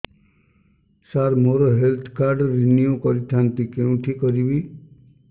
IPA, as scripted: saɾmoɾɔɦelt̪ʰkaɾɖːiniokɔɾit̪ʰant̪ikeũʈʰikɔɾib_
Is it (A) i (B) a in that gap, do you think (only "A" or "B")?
A